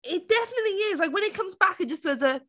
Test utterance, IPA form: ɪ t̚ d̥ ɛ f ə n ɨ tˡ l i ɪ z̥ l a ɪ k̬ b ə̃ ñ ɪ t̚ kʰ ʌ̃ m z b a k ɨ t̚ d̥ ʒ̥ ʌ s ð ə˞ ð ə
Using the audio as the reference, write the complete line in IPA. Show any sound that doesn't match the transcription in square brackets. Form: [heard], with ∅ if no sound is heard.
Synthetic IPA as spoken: ɪ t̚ d̥ ɛ f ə n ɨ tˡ l i ɪ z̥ l a ɪ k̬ [w] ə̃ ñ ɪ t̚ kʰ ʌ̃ m z b a k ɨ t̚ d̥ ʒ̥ ʌ s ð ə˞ [z] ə